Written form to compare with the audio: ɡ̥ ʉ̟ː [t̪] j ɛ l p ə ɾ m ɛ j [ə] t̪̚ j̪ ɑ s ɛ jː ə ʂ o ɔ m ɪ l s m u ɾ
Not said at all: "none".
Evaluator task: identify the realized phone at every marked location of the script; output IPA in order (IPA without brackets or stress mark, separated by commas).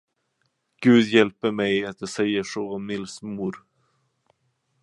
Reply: d̪, a